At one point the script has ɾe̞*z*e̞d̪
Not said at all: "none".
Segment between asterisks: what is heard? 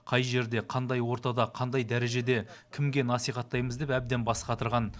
ʒ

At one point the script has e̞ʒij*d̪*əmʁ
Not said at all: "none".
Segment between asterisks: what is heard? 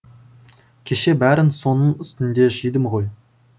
d̪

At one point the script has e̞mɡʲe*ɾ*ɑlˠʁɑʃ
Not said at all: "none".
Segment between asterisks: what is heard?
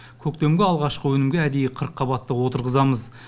none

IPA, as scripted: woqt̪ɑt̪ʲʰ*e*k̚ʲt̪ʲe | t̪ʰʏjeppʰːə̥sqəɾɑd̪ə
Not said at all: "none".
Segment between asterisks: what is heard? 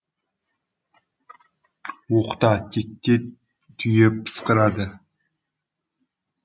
e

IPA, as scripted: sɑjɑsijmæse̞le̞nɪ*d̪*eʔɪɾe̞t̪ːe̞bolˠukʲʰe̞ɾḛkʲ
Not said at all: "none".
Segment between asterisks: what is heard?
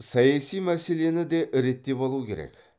d̪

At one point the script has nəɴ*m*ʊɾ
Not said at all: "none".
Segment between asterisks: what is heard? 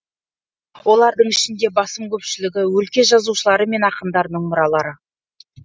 m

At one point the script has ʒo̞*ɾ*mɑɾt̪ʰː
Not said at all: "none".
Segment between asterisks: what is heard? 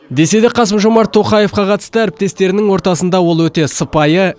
none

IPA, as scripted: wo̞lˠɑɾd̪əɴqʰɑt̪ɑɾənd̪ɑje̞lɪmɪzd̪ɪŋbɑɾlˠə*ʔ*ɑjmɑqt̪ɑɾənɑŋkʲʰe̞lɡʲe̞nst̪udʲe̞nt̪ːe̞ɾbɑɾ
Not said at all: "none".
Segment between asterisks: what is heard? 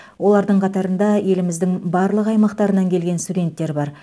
q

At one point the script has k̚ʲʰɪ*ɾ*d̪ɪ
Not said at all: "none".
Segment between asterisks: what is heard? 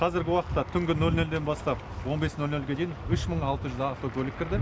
ɾ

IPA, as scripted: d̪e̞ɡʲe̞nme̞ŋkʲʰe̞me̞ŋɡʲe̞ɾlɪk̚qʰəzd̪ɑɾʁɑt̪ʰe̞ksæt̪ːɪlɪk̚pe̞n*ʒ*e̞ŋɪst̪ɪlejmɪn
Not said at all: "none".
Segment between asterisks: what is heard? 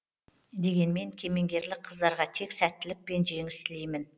ʒ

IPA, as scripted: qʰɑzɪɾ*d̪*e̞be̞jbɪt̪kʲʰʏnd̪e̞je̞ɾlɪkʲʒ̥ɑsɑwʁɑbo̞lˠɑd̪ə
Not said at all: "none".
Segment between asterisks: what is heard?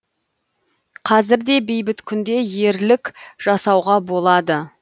d̪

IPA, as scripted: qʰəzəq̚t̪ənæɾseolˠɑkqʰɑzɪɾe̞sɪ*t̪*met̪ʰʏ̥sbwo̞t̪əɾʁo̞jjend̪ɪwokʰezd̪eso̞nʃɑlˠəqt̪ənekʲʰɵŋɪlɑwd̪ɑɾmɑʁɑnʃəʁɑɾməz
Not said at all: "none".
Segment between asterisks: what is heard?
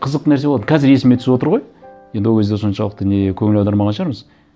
none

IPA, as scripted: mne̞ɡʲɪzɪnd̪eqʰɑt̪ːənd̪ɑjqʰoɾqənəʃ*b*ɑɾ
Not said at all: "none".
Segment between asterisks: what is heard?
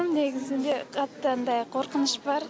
b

